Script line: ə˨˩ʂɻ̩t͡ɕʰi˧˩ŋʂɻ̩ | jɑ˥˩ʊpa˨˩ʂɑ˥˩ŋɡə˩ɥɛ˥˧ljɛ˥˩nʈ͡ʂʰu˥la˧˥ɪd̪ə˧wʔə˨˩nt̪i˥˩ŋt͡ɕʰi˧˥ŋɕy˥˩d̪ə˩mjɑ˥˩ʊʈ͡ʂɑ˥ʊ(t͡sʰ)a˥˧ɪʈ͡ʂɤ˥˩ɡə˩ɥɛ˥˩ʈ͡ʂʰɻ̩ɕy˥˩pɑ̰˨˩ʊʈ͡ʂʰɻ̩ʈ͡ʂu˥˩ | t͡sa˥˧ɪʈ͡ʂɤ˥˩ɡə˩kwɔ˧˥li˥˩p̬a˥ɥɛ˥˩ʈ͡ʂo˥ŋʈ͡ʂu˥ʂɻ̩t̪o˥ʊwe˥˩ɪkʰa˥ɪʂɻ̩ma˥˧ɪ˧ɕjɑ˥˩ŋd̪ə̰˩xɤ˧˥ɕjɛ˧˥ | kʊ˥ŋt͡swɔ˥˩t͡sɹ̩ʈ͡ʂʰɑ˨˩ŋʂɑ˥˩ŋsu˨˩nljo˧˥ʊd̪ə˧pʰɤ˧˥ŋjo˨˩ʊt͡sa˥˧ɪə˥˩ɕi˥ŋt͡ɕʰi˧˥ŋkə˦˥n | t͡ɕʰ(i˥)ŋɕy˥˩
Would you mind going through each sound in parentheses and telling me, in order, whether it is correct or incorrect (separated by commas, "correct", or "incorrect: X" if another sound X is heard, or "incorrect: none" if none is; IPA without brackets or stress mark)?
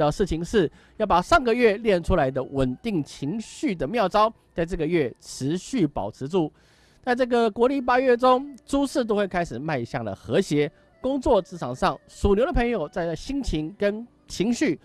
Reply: incorrect: t͡s, incorrect: i˧˥